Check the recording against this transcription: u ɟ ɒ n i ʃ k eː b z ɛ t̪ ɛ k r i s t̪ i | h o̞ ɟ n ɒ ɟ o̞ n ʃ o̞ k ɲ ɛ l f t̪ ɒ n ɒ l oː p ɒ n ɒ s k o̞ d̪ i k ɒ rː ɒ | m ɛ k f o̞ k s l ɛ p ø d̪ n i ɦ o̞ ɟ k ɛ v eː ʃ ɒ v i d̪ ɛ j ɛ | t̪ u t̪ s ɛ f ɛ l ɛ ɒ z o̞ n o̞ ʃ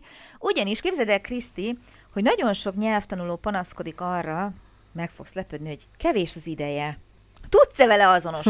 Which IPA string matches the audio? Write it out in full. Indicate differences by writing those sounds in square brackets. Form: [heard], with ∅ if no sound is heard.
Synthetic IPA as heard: u ɟ ɒ n i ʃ k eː b z ɛ [d̪] ɛ k r i s t̪ i | h o̞ ɟ n ɒ ɟ o̞ n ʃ o̞ k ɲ ɛ l f t̪ ɒ n [u] l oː p ɒ n ɒ s k o̞ d̪ i k ɒ rː ɒ | m ɛ k f o̞ k s l ɛ p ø d̪ n i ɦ o̞ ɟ k ɛ v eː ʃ ɒ [z] i d̪ ɛ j ɛ | t̪ u t̪ s ɛ [v] ɛ l ɛ ɒ z o̞ n o̞ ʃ